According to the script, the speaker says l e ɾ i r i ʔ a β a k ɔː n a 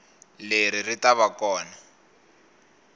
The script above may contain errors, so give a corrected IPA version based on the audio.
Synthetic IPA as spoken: l e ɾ i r i t a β a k ɔː n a